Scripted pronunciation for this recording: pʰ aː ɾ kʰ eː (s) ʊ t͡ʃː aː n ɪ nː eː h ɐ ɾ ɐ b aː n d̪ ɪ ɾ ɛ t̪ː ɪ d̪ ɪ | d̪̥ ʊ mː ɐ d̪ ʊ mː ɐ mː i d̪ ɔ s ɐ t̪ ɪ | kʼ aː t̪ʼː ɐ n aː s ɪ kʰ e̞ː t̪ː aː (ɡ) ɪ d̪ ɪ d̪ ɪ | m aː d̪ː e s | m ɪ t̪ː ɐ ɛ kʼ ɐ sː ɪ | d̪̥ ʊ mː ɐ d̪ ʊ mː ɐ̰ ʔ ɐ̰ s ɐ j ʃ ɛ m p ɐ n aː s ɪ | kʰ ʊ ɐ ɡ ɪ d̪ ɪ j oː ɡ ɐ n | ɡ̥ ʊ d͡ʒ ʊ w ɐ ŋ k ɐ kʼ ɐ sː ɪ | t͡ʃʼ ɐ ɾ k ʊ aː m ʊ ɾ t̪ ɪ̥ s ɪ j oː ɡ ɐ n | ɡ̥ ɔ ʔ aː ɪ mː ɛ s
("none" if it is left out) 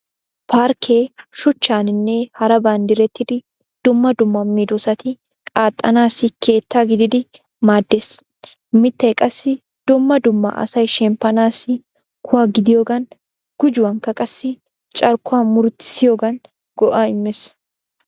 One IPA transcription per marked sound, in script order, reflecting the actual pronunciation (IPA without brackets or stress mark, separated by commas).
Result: ʃ, ɡ